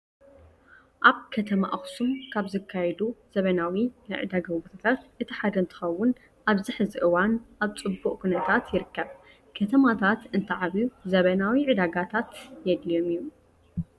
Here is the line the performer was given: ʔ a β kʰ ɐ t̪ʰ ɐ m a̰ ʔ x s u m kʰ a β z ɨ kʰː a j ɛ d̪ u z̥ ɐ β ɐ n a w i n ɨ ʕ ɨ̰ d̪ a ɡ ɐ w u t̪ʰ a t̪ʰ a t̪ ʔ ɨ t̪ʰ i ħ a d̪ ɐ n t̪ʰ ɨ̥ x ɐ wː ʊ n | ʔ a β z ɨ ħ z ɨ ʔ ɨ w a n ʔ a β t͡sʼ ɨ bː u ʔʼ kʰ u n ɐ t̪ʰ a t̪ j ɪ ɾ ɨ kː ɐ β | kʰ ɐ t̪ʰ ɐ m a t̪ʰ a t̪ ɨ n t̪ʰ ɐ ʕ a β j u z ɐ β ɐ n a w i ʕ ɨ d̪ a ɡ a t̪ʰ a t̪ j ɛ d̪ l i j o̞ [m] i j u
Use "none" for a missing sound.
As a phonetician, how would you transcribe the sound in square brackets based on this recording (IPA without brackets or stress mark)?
m